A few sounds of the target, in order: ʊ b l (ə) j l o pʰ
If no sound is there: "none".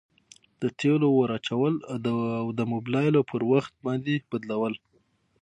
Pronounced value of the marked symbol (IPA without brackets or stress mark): ɑ